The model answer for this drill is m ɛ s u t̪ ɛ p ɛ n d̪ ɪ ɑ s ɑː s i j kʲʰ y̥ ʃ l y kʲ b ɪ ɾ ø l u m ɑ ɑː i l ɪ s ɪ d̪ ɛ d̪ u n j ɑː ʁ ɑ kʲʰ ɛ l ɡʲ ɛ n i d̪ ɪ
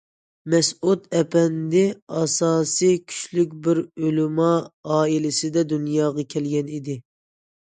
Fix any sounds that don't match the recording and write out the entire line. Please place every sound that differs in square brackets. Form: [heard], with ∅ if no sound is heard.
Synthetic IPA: m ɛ s u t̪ ɛ p ɛ n d̪ ɪ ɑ s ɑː s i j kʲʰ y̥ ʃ l y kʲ b ɪ ɾ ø l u m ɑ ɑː i l ɪ s ɪ d̪ ɛ d̪ u n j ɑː ʁ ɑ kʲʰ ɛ l ɡʲ ɛ n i d̪ ɪ